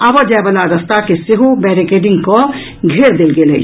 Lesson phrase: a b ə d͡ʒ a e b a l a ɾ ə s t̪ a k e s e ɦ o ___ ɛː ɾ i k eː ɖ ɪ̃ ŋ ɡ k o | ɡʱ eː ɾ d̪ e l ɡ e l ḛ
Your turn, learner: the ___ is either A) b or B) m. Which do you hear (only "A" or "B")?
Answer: A